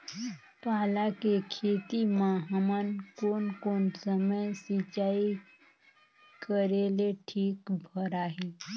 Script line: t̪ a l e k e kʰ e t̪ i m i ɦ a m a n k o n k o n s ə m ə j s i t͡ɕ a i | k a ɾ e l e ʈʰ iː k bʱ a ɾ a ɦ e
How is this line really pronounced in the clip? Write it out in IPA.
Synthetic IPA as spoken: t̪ a l a k e kʰ e t̪ i m a ɦ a m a n k o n k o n s ə m ə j s i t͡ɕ a i | k ə ɾ e l e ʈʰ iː k bʱ ə ɾ a ɦ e